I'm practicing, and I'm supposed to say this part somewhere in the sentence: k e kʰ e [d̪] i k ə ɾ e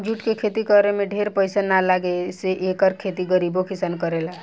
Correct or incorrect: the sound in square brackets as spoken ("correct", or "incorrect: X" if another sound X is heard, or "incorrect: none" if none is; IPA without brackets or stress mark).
incorrect: t̪